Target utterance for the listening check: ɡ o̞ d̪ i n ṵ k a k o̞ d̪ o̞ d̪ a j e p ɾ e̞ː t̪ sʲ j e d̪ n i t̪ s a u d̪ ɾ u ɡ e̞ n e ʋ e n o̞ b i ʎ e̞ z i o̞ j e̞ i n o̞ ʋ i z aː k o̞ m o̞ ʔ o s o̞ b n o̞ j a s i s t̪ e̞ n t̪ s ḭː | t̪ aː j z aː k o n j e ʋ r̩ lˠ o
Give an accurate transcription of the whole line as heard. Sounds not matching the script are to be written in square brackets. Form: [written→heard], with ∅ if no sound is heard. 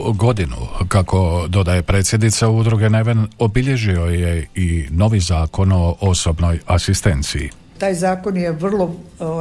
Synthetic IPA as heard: ɡ o̞ d̪ i n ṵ k a k o̞ d̪ o̞ d̪ a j e p ɾ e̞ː t̪ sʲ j e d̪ n i t̪ s a u d̪ ɾ u ɡ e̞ n e ʋ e n o̞ b i ʎ e̞ [z→ʒ] i o̞ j e̞ i n o̞ ʋ i z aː k o̞ [m→n] o̞ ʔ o s o̞ b n o̞ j a s i s t̪ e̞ n t̪ s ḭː | t̪ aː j z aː k o n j e ʋ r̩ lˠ o